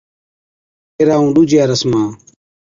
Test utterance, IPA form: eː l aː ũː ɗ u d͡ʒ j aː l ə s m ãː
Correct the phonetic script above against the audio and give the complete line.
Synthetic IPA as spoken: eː ɾ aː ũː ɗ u d͡ʒ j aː ɾ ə s m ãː